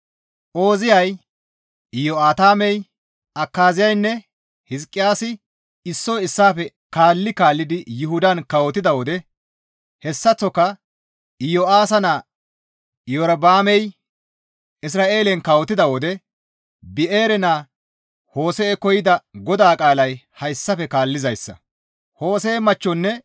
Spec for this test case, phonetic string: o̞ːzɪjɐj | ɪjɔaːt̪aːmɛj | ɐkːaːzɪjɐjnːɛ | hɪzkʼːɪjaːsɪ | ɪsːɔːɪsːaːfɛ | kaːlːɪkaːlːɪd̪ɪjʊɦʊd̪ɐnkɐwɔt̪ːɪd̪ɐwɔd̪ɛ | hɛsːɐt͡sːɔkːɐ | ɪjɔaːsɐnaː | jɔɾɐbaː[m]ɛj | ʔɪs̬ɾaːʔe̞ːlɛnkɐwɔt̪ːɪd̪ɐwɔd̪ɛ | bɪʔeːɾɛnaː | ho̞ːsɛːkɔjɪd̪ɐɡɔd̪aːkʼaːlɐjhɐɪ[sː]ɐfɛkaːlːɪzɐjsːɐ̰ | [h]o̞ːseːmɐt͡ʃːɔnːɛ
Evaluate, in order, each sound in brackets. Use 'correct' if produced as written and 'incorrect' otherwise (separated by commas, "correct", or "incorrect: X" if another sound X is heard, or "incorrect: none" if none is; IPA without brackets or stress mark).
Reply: correct, correct, correct